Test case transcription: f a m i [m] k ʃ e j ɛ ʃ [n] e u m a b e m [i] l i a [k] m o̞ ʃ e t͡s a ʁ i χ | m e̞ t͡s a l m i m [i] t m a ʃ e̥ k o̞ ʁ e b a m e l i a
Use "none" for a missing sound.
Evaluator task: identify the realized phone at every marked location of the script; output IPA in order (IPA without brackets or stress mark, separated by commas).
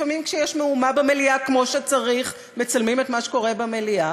m, m, e, k, e